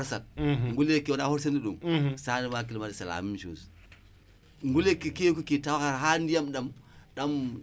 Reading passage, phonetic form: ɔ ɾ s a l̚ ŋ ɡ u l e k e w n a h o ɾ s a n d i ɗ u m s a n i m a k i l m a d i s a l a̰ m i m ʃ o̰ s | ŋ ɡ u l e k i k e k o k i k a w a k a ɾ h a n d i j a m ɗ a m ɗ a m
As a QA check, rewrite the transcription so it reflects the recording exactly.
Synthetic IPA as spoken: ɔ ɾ s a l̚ ŋ ɡ u l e k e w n a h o ɾ s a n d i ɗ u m s a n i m a k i l m a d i s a l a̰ m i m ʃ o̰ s | ŋ ɡ u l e k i k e k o k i t a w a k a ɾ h a n d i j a m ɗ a m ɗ a m